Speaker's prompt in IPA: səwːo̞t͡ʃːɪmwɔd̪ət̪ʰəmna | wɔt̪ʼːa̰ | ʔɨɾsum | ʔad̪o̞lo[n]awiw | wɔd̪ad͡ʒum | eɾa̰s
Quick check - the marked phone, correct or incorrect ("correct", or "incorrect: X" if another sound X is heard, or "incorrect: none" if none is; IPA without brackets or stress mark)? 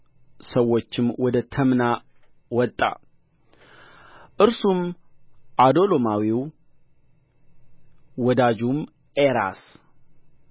incorrect: m